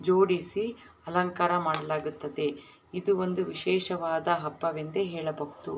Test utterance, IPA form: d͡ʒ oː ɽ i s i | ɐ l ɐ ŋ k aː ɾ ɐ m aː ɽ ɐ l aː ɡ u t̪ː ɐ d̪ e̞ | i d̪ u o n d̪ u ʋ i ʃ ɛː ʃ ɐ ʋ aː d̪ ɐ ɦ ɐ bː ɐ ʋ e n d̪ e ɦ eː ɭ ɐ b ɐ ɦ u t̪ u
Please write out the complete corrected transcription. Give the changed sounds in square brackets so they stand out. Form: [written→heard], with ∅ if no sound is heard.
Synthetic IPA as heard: d͡ʒ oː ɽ i s i | ɐ l ɐ ŋ k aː ɾ ɐ m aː ɽ ɐ l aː ɡ u t̪ː ɐ d̪ e̞ | i d̪ u o n d̪ u ʋ i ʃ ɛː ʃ ɐ ʋ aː d̪ ɐ ɦ ɐ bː ɐ ʋ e n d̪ e ɦ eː ɭ ɐ b ɐ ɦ u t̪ u